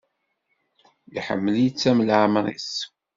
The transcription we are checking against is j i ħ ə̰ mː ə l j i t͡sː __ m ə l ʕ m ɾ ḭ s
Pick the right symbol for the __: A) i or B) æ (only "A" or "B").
B